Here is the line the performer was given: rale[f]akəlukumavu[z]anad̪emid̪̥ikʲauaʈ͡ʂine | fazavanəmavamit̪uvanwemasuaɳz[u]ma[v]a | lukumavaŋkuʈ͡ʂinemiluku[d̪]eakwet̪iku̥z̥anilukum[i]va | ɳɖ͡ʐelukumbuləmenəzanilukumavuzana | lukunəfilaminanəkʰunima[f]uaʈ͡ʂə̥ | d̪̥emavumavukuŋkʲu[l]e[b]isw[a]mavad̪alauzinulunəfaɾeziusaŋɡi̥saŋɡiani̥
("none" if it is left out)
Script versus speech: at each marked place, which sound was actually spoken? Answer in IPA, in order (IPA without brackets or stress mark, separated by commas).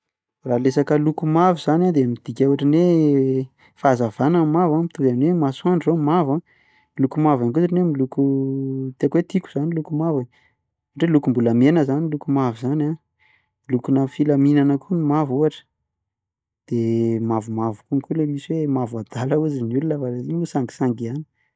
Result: s, z, o, v, t̪, a, v, l, m, e